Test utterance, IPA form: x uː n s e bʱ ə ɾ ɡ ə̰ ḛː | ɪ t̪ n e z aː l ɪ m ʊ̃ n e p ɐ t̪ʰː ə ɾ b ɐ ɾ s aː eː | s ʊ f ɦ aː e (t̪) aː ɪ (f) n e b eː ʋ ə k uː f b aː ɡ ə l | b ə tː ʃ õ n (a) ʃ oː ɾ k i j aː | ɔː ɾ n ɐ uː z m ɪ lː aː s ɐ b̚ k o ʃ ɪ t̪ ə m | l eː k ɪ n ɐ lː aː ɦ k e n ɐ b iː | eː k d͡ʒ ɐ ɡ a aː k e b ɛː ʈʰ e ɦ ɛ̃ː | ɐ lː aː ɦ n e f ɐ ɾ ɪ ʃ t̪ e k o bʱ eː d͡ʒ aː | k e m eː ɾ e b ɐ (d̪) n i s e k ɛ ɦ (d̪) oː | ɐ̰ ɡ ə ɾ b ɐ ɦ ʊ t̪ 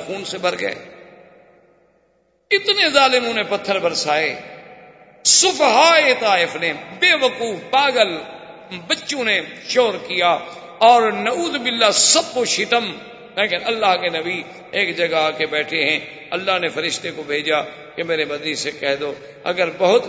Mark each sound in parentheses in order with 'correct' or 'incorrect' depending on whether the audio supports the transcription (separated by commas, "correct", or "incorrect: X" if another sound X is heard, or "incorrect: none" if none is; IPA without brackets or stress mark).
correct, correct, incorrect: e, correct, correct